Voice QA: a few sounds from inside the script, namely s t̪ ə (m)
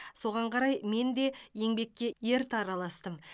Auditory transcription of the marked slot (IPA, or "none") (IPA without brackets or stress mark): m